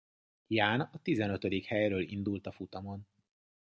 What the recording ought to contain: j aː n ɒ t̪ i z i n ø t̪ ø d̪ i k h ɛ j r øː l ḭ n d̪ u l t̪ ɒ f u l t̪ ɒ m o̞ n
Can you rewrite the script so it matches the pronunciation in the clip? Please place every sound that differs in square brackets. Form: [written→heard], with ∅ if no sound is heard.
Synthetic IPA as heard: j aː n ɒ t̪ i z [i→ɛ] n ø t̪ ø d̪ i k h ɛ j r øː l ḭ n d̪ u l t̪ ɒ f u [l→∅] t̪ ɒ m o̞ n